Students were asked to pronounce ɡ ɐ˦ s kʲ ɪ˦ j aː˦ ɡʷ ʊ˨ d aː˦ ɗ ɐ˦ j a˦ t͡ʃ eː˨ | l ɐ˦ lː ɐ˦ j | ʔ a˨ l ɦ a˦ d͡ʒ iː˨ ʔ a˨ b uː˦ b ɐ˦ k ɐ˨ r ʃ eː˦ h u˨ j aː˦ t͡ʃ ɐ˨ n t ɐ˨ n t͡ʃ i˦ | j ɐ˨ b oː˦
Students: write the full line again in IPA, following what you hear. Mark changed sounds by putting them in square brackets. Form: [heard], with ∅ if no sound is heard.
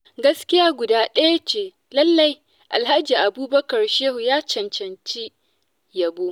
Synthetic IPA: ɡ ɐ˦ s kʲ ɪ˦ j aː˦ ɡʷ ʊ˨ d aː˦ ɗ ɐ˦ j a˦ t͡ʃ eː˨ | l ɐ˦ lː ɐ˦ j | ʔ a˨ l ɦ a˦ d͡ʒ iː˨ ʔ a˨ b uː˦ b ɐ˦ k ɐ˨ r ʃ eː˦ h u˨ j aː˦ t͡ʃ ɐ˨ n [t͡ʃ] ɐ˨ n t͡ʃ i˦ | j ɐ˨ b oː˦